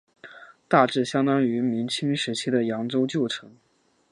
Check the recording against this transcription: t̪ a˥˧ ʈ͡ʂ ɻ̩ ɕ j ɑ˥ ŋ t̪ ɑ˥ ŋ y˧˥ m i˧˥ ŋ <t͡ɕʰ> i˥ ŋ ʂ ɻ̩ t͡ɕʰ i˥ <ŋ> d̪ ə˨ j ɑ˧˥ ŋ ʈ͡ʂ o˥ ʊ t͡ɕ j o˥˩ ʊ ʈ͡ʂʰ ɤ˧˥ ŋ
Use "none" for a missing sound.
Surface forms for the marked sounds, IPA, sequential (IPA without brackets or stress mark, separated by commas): t͡ɕʰ, none